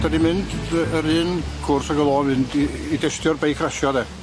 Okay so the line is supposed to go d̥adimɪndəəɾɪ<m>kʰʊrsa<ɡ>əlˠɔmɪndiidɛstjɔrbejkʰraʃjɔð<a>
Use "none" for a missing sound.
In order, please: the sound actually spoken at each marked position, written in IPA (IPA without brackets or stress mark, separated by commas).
n, ɡ, ɛ